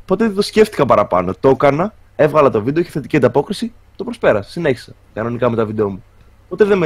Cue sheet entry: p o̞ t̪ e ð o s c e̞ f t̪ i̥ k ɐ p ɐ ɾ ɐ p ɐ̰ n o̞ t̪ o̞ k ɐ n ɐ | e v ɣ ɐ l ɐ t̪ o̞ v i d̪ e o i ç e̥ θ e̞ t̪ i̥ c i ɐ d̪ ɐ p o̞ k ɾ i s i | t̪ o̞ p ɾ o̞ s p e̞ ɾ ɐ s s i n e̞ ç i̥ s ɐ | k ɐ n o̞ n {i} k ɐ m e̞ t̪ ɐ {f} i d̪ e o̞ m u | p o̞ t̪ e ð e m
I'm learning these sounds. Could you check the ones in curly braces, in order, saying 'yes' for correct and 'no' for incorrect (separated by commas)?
yes, no